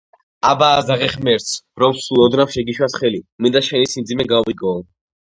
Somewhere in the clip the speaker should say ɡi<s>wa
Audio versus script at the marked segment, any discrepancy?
yes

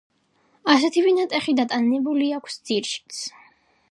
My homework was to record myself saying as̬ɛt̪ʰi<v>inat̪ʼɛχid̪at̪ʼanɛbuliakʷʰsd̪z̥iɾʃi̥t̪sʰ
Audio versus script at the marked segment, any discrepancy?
no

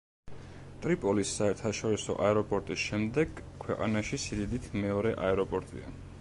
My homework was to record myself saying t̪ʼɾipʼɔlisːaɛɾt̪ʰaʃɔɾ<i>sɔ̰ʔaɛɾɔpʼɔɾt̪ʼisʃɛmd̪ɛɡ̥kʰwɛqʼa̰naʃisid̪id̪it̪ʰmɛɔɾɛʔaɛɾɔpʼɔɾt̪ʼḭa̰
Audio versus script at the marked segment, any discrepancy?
no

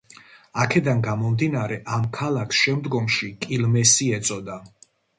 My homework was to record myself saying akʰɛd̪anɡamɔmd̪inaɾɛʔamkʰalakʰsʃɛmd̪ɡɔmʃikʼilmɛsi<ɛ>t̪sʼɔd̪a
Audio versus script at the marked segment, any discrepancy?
no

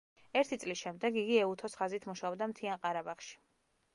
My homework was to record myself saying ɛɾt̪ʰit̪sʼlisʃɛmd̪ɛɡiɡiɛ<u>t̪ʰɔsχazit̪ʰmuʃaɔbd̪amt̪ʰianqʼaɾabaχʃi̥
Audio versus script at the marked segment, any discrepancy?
no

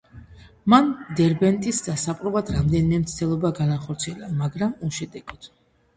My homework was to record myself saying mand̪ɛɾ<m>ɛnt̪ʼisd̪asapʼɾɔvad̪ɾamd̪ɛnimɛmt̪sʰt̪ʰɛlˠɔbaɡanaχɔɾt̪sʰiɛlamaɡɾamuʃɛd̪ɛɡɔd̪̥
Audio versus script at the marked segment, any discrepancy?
yes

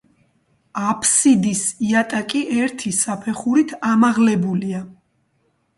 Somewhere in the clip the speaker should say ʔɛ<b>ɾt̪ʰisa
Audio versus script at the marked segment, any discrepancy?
yes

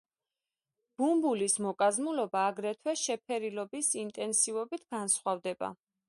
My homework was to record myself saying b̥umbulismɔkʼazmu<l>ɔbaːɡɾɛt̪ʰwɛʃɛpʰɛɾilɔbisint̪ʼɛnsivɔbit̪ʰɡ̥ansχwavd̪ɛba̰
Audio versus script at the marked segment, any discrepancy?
no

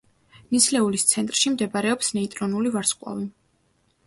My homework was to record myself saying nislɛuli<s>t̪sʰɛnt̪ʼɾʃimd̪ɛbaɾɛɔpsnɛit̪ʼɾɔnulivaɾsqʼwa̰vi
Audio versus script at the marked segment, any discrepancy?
no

